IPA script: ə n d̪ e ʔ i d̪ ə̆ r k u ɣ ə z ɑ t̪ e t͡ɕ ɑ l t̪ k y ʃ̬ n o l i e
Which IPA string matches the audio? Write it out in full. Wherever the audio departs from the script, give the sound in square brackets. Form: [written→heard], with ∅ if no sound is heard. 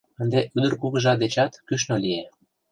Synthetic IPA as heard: ə n d̪ e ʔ [i→y] d̪ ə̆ r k u ɣ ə [z→ʒ] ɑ [t̪→d̪] e t͡ɕ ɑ [l→∅] t̪ k y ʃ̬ n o l i e